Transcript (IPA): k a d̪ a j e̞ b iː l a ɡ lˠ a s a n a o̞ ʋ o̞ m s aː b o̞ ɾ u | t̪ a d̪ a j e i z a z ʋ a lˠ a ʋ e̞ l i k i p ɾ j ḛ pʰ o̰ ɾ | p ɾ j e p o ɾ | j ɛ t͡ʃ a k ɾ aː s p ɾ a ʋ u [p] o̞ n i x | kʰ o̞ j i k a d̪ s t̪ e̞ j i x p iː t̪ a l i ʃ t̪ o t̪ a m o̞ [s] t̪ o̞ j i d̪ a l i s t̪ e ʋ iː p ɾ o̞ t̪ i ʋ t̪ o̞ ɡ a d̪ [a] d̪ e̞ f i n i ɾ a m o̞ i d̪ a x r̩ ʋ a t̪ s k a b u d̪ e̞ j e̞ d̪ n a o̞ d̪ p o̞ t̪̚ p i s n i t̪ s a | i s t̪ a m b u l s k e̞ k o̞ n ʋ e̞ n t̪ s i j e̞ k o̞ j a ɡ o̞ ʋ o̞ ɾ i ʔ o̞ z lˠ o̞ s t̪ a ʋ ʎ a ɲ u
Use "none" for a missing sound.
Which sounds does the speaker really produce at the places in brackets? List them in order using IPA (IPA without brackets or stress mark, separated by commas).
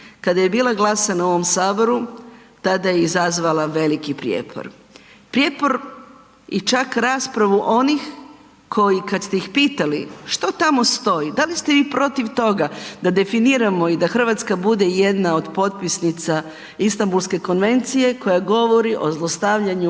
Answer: ʔ, s, a